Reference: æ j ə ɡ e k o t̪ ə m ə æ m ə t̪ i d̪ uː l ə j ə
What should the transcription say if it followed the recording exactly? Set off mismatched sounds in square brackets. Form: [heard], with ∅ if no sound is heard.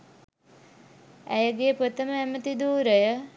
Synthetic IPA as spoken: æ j ə ɡ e [p] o t̪ ə m ə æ m ə t̪ i d̪ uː [ɾ] ə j ə